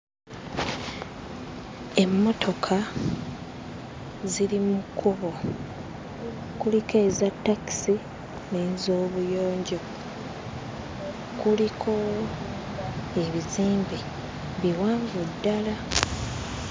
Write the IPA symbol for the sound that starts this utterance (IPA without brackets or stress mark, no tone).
e̞